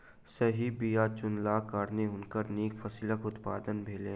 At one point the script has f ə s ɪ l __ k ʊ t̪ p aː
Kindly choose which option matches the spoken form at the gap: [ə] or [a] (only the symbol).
ə